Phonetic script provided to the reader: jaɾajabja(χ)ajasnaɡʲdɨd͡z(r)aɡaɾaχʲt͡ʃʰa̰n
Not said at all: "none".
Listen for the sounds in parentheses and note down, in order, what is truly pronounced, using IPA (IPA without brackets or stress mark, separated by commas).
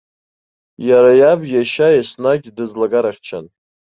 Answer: ʃ, l